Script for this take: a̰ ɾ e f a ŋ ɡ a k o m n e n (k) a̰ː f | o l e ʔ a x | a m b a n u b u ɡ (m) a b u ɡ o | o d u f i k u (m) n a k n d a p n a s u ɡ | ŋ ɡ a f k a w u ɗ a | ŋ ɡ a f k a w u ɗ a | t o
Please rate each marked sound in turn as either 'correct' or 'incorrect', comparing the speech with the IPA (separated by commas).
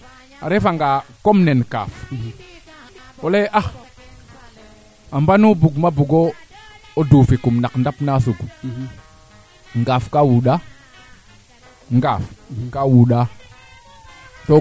correct, correct, correct